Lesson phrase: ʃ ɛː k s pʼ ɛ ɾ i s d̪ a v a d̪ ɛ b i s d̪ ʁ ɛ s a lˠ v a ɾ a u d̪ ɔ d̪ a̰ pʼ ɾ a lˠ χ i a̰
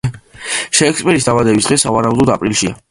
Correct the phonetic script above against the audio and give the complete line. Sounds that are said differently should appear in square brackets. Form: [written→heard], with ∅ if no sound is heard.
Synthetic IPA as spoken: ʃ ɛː k s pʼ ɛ ɾ i s d̪ a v a d̪ ɛ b i s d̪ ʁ ɛ s a [lˠ→∅] v a ɾ a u d̪ ɔ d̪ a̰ pʼ ɾ [a→i] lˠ [χ→ʃ] i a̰